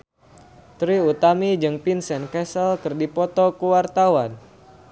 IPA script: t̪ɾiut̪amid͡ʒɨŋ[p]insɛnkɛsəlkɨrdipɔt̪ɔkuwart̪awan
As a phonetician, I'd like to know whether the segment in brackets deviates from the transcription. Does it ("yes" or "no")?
no